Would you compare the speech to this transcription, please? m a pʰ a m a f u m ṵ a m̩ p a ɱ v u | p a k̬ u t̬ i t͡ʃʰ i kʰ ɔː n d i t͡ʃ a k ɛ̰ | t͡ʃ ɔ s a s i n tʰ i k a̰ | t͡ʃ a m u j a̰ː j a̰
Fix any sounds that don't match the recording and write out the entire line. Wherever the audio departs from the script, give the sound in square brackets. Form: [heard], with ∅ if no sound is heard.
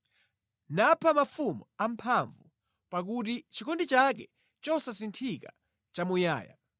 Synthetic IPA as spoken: [n] a pʰ a m a f u m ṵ a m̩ [pʰ] a ɱ v u | p a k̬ u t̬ i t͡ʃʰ i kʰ [ɔ] n d i t͡ʃ a k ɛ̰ | t͡ʃ ɔ s a s i n tʰ i k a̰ | t͡ʃ a m u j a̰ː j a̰

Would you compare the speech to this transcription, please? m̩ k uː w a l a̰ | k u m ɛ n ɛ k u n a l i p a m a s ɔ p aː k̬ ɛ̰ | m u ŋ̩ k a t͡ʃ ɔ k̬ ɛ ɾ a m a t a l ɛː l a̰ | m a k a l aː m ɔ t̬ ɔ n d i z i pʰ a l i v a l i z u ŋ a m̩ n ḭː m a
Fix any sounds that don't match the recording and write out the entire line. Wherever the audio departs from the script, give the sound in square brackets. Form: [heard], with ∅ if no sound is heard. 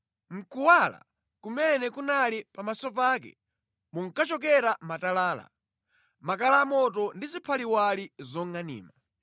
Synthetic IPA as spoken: m̩ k [u] w a l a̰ | k u m ɛ n ɛ k u n a l i p a m a s ɔ p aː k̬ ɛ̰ | m u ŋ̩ k a t͡ʃ ɔ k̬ ɛ ɾ a m a t a l [aː] l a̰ | m a k a l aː m ɔ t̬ ɔ n d i z i pʰ a l i [w] a l i z [ɔ] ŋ a [∅] n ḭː m a

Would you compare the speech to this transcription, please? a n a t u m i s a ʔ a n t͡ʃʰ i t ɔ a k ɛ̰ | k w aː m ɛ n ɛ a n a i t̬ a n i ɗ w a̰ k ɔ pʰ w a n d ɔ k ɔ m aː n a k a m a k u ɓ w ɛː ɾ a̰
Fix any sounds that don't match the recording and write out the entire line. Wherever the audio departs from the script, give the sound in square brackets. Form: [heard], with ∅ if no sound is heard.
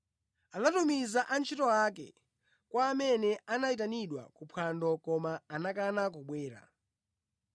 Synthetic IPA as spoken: a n a t u m i [z] a ʔ a n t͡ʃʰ i t ɔ a k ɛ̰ | k w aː m ɛ n ɛ a n a i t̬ a n i ɗ w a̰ k [u] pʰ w a n d ɔ k ɔ m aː n a k a [n] a k u ɓ w ɛː ɾ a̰

